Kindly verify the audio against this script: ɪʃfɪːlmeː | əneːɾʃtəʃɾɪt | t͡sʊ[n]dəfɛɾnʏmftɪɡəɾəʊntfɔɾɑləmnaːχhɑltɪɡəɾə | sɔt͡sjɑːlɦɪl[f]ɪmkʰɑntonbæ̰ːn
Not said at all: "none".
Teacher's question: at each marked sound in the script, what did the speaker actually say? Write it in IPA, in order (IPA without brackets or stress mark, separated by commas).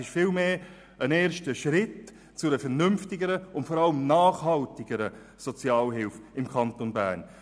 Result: none, f